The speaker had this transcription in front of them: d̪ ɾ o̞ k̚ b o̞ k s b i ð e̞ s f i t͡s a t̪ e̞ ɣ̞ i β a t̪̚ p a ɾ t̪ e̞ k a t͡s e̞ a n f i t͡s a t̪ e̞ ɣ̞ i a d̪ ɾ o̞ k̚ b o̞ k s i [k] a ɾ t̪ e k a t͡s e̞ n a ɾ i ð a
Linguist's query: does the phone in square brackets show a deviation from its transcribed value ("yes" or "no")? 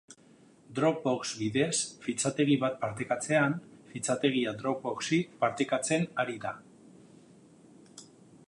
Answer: yes